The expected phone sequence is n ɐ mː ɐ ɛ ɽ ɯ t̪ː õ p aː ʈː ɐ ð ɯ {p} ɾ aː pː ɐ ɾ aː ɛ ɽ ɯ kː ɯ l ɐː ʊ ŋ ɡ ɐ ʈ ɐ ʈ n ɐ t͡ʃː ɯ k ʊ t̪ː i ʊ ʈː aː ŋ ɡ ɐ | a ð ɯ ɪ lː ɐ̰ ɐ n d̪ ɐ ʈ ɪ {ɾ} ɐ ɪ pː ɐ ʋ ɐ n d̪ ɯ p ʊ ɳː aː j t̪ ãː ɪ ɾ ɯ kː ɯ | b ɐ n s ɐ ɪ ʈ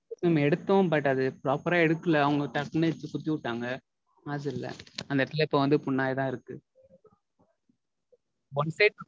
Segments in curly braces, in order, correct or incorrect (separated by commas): correct, incorrect